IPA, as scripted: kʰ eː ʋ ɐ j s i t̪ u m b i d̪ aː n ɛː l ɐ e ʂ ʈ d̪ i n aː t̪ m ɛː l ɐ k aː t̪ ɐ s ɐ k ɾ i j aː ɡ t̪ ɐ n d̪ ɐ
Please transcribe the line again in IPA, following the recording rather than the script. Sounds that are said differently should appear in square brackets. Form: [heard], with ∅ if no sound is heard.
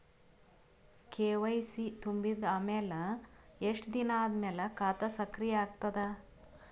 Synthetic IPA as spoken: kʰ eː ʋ ɐ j s i t̪ u m b i d̪ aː [m] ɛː l ɐ e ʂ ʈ d̪ i n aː [d̪] m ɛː l ɐ k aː t̪ ɐ s ɐ k ɾ i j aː ɡ t̪ ɐ [∅] d̪ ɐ